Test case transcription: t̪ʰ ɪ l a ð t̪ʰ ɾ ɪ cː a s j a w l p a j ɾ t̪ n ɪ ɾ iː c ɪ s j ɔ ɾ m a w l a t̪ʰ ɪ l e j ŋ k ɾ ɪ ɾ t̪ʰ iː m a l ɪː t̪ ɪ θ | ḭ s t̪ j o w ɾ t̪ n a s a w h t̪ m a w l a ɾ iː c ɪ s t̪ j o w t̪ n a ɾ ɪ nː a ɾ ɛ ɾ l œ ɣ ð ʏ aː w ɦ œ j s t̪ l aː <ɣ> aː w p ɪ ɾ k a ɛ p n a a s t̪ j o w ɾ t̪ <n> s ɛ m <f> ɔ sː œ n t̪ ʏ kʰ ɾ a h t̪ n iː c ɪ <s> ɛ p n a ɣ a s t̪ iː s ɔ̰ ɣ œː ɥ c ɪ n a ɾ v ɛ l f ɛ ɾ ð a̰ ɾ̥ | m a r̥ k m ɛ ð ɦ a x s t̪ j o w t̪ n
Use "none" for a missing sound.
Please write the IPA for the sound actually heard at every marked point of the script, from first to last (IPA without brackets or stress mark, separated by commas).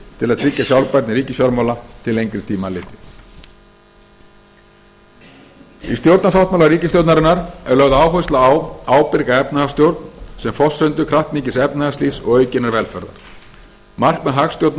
w, n, f, s